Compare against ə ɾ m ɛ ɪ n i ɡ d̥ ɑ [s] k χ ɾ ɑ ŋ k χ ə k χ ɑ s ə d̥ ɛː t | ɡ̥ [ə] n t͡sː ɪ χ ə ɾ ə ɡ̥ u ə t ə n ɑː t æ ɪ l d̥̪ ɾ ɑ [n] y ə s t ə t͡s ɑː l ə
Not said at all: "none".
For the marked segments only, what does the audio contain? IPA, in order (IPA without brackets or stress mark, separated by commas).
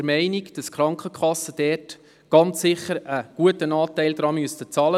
s, ɑ, m